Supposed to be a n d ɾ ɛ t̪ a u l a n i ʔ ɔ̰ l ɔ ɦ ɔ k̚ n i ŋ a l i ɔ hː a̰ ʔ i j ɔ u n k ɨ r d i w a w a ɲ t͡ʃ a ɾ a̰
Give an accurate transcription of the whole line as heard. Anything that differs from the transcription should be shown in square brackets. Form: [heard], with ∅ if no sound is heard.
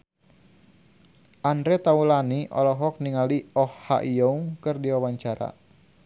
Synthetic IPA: a n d ɾ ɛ t̪ a u l a n i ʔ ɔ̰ l ɔ ɦ ɔ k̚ n i ŋ a l i ɔ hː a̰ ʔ i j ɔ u [ŋ] k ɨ r d i w a w a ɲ t͡ʃ a ɾ a̰